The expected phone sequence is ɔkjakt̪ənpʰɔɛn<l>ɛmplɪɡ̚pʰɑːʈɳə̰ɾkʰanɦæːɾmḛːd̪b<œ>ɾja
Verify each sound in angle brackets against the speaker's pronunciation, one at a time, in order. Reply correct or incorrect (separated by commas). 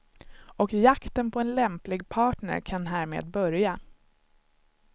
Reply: correct, correct